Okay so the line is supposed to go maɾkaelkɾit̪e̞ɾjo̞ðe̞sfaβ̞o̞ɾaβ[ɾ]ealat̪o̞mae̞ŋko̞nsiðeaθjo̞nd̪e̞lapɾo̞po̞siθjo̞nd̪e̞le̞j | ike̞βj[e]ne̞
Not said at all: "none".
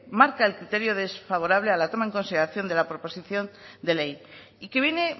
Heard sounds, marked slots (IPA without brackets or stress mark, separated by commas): l, e